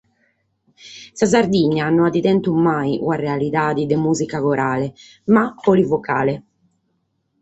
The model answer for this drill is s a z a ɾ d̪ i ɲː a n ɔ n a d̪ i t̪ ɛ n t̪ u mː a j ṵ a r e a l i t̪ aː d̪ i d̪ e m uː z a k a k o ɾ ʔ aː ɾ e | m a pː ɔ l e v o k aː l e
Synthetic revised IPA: s a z a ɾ d̪ i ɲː a n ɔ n a d̪ i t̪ ɛ n t̪ u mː a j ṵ a r e a l i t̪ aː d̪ i d̪ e m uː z i k a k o ɾ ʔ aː l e | m a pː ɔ l i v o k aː l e